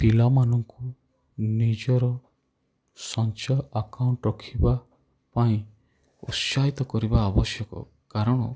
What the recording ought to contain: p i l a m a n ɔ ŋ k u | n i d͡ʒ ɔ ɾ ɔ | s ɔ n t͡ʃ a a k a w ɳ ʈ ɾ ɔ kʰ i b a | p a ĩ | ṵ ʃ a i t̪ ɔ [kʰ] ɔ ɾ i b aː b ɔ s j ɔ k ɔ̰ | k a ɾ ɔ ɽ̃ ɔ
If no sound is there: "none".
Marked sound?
k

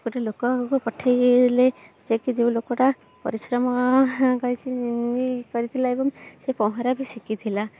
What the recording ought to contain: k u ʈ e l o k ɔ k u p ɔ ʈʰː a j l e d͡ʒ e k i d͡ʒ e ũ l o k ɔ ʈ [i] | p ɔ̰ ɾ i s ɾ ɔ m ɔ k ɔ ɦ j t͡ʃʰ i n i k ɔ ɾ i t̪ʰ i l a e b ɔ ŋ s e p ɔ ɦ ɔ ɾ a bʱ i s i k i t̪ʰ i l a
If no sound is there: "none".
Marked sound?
a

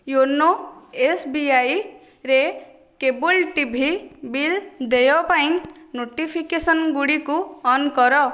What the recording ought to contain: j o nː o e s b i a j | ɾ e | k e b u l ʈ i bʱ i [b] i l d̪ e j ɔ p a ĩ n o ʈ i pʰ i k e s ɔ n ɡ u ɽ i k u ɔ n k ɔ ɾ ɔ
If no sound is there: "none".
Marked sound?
b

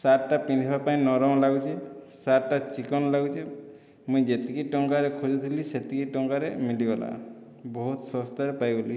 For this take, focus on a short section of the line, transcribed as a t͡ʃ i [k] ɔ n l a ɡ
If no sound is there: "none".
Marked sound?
k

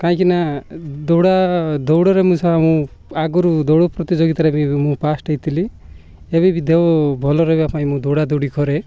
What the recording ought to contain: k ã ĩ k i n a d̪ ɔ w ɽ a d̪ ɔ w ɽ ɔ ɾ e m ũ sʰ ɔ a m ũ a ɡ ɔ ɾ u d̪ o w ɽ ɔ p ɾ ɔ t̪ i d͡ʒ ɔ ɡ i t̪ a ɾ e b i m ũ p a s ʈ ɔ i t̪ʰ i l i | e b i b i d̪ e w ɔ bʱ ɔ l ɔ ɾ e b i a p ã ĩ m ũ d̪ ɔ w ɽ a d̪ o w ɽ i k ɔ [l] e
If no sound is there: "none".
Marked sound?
ɾ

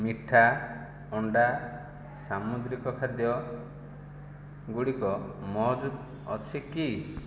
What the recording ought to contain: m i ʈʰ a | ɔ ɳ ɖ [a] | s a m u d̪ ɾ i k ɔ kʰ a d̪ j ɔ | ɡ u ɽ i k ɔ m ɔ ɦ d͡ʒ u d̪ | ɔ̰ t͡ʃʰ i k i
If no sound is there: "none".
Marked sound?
a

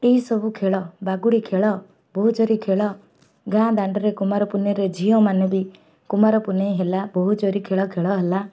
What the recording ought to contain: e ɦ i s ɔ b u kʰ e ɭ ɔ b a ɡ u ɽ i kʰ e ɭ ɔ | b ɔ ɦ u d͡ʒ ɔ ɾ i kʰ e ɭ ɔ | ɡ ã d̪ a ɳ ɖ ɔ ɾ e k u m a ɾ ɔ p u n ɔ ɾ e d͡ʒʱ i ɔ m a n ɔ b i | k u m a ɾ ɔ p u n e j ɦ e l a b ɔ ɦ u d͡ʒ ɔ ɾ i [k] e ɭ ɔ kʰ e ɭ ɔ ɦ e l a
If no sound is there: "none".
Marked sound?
kʰ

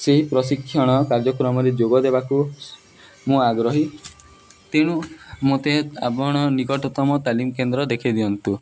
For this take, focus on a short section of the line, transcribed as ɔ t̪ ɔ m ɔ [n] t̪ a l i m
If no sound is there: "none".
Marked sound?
none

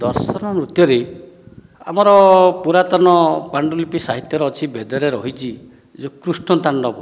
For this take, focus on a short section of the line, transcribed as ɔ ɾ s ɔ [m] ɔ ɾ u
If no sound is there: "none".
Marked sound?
n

